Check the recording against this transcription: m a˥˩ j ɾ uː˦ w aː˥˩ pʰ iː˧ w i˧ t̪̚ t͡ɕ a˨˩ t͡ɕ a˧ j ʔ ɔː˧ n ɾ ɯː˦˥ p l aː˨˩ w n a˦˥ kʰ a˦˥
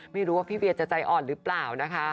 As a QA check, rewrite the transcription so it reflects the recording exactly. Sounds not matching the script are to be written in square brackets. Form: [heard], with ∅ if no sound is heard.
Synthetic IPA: m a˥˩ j ɾ uː˦ w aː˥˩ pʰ [iː˥˩] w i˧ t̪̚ t͡ɕ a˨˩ t͡ɕ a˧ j ʔ [ɔː˨˩] n ɾ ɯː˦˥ p l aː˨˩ w n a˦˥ kʰ a˦˥